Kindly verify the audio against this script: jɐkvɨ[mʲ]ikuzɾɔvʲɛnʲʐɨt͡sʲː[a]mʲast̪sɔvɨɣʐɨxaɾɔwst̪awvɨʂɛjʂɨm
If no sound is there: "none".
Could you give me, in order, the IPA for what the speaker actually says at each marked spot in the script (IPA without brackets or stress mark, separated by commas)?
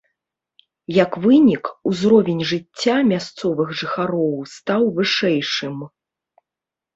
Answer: nʲ, a